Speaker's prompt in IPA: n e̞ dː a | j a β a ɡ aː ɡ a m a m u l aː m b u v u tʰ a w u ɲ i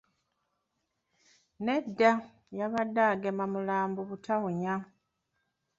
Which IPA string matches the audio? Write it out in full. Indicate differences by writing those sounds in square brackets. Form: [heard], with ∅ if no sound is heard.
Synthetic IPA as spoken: n e̞ dː a | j a β a [d] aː ɡ [e] m a m u l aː m b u [β] u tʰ a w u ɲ [a]